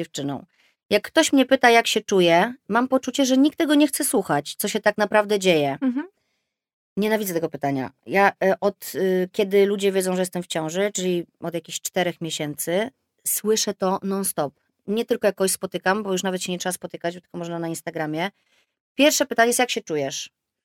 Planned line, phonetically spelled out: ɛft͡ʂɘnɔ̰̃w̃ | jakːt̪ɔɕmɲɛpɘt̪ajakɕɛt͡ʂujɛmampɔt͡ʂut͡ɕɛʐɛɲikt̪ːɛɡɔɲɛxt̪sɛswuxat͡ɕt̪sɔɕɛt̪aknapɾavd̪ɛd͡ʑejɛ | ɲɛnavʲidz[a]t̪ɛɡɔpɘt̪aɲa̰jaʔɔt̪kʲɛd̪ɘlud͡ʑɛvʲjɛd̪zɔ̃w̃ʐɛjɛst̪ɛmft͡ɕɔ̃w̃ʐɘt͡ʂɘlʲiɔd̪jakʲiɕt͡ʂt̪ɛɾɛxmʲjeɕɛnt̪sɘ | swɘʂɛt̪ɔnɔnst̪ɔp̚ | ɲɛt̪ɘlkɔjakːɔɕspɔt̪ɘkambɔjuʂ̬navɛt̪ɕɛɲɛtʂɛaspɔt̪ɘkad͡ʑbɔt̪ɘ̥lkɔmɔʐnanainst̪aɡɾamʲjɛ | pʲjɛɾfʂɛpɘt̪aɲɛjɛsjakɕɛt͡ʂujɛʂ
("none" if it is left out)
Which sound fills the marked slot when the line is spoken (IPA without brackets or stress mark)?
ɛ